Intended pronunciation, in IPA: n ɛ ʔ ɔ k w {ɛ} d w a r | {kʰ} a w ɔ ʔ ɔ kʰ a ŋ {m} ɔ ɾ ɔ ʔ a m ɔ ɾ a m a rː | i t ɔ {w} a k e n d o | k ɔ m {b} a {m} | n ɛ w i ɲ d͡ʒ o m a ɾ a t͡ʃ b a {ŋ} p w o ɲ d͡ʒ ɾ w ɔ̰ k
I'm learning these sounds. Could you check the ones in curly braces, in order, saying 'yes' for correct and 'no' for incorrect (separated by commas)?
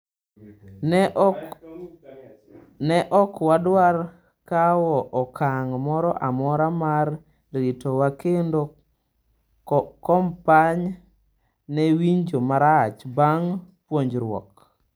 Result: no, no, yes, yes, no, no, yes